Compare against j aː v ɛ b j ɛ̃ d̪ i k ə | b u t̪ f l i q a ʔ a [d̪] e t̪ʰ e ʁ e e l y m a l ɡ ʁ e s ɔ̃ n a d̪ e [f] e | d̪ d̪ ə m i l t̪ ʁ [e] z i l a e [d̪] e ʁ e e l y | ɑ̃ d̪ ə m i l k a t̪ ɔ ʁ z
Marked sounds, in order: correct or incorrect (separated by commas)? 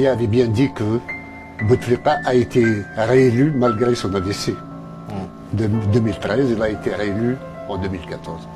incorrect, incorrect, incorrect, incorrect